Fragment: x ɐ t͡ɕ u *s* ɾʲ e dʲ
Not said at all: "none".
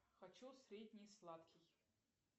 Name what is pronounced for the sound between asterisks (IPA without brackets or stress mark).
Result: s